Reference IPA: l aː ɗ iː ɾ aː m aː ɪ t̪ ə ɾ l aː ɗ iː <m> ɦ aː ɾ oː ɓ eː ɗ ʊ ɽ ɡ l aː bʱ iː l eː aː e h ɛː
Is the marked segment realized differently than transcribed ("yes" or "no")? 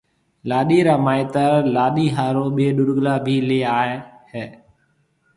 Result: yes